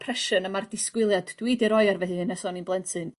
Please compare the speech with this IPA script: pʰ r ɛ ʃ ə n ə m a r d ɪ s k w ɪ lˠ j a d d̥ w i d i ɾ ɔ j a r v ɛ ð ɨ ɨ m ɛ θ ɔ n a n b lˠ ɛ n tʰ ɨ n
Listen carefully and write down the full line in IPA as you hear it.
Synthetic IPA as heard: pʰ r ɛ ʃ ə n ə m a r d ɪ s k w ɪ lˠ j a d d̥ w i d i ɾ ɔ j a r v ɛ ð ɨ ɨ n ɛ s ɔ n i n b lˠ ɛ n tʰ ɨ n